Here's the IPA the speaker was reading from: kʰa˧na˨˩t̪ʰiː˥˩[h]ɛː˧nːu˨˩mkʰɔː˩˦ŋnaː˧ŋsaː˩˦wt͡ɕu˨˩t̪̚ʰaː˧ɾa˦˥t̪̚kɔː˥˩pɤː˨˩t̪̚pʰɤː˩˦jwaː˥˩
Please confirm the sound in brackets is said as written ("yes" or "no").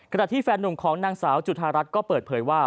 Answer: no